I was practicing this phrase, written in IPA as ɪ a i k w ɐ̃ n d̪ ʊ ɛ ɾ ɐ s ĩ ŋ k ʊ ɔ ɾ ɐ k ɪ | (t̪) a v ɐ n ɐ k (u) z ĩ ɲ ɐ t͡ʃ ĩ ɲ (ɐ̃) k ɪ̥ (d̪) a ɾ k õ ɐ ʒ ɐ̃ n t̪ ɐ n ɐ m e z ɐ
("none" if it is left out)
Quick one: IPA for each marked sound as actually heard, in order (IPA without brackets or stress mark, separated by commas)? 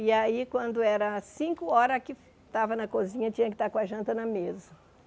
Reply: t̪, o, ɐ, t̪